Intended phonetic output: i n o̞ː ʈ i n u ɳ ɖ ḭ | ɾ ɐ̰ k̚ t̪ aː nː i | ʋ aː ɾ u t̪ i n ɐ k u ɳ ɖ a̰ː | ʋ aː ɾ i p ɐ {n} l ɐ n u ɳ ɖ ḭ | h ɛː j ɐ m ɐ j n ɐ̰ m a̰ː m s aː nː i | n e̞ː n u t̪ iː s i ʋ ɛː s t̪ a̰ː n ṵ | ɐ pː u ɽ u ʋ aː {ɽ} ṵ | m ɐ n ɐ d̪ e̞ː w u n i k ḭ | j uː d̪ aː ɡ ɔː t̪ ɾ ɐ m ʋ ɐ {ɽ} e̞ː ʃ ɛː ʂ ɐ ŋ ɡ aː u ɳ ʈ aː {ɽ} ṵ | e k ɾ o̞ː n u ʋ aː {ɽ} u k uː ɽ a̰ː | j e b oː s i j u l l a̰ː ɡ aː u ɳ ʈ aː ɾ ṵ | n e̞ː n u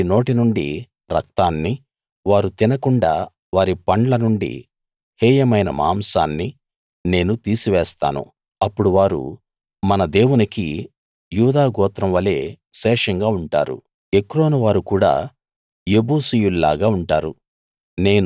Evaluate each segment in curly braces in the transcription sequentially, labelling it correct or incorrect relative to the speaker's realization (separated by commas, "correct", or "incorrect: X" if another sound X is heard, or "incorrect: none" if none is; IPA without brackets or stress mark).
incorrect: ɳ, incorrect: ɾ, incorrect: l, incorrect: ɾ, incorrect: ɾ